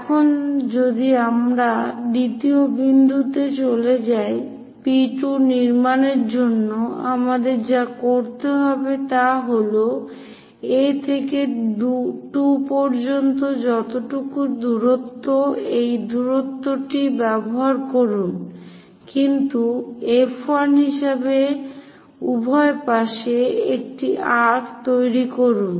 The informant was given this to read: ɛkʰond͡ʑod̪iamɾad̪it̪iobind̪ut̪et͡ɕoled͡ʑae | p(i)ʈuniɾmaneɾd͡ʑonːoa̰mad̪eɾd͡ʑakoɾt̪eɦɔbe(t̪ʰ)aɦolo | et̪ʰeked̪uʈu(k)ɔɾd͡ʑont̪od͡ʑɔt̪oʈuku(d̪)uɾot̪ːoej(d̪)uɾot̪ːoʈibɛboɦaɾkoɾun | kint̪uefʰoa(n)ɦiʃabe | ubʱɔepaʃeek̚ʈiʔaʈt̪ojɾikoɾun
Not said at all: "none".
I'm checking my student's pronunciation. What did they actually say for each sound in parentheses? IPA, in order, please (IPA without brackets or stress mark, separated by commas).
i, t̪, p, d̪, d̪, n